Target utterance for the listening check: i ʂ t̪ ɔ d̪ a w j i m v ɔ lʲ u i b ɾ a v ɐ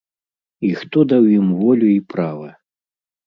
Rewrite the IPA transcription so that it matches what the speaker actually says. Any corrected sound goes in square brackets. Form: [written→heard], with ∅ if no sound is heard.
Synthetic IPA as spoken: i [ʂ→x] t̪ ɔ d̪ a w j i m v ɔ lʲ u i [b→p] ɾ a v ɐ